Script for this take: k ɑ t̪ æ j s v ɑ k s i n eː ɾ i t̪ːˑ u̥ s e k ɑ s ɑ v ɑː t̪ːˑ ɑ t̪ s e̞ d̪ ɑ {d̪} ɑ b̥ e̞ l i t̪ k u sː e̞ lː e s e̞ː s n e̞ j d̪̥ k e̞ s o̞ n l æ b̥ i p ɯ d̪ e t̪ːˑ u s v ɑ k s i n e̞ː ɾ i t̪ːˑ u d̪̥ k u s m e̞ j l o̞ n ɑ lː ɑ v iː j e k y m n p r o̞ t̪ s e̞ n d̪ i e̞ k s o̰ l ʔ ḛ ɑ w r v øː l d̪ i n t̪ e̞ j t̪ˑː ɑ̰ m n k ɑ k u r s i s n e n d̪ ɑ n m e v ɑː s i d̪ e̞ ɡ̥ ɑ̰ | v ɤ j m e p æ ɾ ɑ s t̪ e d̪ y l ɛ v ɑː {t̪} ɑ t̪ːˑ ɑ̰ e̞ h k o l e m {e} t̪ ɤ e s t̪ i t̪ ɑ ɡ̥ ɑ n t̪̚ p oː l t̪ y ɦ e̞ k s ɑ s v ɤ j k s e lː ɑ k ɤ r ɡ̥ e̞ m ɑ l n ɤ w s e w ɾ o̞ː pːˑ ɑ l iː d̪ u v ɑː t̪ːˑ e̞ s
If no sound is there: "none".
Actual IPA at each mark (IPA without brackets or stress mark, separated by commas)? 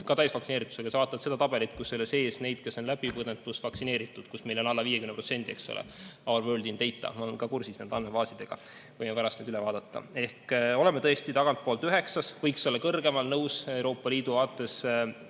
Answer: t̪, d̪, e